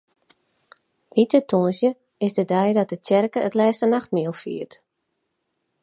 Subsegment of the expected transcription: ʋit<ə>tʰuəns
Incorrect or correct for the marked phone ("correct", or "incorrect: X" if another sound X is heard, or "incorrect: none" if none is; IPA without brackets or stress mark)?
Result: correct